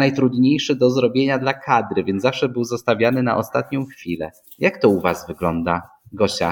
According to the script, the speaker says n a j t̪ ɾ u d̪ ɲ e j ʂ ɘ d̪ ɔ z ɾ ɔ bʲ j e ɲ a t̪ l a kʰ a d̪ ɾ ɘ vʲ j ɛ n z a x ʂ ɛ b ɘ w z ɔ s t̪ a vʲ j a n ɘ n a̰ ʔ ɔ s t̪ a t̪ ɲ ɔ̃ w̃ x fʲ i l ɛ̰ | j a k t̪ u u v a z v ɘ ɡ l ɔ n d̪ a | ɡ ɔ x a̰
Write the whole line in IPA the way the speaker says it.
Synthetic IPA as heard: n a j t̪ ɾ u d̪ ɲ e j ʂ ɘ d̪ ɔ z ɾ ɔ bʲ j e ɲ a d̪ l a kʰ a d̪ ɾ ɘ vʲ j ɛ n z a f ʂ ɛ b ɘ w z ɔ s t̪ a vʲ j a n ɘ n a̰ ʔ ɔ s t̪ a t̪ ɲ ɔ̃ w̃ x fʲ i l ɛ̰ | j a k t̪ ɔ u v a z v ɘ ɡ l ɔ n d̪ a | ɡ ɔ ɕ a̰